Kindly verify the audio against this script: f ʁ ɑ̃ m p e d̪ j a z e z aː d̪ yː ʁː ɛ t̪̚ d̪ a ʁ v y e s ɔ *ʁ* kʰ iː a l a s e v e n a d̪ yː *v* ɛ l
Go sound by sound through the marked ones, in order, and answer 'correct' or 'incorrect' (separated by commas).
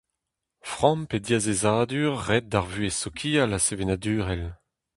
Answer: incorrect, incorrect